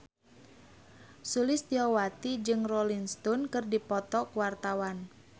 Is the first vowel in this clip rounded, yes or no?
yes